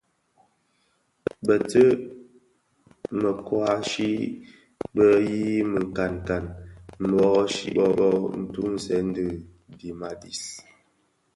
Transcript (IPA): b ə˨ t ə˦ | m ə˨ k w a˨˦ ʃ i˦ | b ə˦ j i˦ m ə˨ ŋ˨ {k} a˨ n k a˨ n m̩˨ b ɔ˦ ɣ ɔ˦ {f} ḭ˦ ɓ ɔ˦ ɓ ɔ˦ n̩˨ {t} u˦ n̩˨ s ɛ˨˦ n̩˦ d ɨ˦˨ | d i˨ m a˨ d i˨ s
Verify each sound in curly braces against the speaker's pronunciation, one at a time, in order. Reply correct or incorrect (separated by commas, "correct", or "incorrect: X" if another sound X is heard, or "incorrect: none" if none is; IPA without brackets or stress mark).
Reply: correct, incorrect: ʃ, correct